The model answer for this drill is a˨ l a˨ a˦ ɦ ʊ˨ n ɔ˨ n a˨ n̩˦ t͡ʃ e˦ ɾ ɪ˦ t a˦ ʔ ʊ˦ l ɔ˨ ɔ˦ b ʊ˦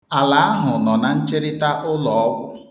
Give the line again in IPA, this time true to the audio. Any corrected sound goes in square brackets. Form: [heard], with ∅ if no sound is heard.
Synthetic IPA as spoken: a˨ l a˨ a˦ ɦ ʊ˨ n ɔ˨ n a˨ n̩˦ t͡ʃ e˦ ɾ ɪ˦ t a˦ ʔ ʊ˦ l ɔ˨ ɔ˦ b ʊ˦